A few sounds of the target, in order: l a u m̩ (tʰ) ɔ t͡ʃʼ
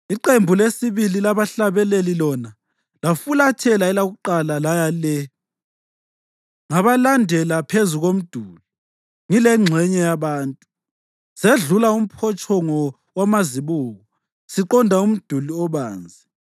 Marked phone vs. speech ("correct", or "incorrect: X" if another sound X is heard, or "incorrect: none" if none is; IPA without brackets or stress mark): incorrect: pʰ